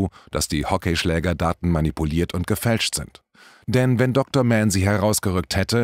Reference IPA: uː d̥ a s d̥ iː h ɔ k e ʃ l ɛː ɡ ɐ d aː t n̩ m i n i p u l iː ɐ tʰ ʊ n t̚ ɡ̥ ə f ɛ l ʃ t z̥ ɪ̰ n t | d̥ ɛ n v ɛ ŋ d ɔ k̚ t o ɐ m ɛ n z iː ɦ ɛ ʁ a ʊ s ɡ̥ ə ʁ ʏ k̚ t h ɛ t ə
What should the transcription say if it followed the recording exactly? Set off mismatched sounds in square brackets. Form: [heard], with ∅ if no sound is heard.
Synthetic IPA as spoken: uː d̥ a s d̥ iː h ɔ k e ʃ l ɛː ɡ ɐ d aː t n̩ m [a] n i p u l iː ɐ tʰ ʊ n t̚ ɡ̥ ə f ɛ l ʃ t z̥ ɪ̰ n t | d̥ ɛ n v ɛ [n] d ɔ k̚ t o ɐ m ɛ n z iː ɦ ɛ ʁ a ʊ s ɡ̥ ə ʁ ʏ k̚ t h ɛ t ə